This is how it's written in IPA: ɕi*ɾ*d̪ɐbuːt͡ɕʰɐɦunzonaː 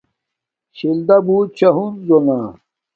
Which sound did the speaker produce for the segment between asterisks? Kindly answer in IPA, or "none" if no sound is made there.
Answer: l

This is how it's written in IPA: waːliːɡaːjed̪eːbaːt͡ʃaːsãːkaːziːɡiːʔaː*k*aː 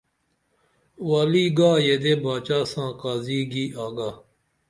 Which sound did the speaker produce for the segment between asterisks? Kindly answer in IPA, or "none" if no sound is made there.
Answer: ɡ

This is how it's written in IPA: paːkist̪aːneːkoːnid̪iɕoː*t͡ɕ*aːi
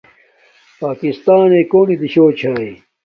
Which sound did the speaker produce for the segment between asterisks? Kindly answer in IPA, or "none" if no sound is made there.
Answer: t͡ɕʰ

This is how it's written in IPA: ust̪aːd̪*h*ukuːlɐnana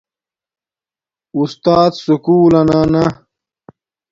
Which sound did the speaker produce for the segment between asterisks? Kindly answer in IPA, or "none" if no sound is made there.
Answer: s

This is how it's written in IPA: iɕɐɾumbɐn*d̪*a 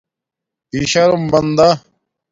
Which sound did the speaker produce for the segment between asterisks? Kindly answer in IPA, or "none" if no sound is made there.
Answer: d̪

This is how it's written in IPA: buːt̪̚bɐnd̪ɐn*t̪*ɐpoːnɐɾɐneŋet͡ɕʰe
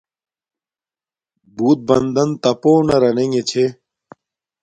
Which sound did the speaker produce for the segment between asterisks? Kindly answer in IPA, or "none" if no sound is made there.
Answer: t̪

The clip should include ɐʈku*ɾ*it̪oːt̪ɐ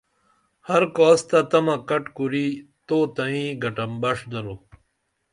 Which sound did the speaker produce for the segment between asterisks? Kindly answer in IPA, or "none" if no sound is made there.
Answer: ɾ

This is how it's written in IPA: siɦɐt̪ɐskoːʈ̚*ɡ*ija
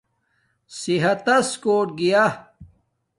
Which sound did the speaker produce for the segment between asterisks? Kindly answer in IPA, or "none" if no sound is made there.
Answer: ɡ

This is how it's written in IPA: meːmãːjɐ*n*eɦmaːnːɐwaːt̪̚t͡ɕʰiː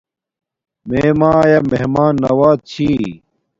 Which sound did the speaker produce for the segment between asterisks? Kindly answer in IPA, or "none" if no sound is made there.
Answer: m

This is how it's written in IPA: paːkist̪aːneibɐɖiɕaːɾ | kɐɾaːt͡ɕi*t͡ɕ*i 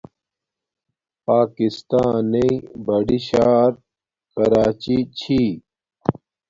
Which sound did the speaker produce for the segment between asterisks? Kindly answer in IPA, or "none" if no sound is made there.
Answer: t͡ɕʰ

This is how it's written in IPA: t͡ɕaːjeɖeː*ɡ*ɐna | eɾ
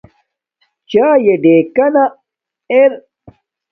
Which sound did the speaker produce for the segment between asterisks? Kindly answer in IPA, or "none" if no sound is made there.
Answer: k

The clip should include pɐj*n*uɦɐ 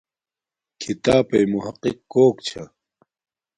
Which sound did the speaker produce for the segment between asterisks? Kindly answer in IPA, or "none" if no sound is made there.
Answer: m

